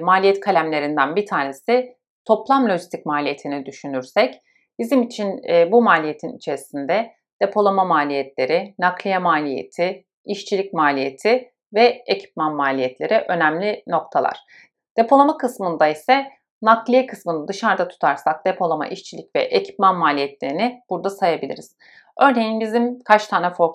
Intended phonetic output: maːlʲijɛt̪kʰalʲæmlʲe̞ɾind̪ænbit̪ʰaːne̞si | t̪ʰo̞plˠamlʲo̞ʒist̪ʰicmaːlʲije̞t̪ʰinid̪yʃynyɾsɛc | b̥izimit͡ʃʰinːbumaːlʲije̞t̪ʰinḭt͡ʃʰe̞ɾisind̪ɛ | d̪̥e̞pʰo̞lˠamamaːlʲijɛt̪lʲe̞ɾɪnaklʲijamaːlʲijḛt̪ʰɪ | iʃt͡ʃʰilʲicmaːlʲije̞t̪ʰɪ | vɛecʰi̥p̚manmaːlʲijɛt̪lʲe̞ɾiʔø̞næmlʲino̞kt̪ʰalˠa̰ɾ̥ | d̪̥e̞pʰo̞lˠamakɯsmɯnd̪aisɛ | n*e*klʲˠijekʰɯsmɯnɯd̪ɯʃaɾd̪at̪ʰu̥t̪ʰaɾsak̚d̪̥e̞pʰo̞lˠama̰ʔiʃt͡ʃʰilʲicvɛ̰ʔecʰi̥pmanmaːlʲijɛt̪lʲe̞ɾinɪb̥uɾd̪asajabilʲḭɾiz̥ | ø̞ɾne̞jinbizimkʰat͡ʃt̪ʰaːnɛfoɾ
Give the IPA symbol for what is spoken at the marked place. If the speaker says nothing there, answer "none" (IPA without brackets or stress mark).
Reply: a